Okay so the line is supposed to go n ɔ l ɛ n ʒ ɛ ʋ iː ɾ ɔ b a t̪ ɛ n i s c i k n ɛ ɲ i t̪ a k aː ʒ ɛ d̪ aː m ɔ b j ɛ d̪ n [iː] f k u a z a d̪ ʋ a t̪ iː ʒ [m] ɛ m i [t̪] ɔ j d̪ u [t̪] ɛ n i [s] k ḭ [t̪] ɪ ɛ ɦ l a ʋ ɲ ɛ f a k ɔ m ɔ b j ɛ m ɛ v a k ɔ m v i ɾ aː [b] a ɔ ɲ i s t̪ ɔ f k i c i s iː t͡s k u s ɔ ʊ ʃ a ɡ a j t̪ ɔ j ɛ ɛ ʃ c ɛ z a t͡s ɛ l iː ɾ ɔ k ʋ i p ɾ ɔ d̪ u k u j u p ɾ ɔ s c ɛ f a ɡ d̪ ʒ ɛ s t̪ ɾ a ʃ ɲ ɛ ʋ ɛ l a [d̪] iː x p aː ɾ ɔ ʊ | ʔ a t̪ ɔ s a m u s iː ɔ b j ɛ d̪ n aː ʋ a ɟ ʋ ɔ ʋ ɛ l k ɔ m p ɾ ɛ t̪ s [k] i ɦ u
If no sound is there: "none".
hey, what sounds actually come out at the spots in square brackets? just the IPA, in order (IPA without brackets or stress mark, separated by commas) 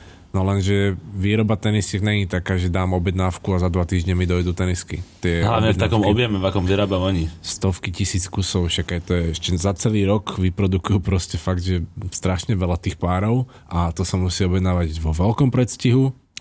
aː, ɲ, d̪, t̪, s, t̪, b, t̪, c